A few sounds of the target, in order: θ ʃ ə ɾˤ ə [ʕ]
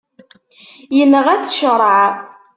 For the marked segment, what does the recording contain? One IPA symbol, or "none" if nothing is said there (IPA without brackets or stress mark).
ʕ